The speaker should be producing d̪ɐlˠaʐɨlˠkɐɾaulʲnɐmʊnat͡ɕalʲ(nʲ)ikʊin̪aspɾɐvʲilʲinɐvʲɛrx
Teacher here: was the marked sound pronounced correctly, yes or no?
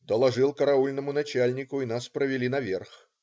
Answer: yes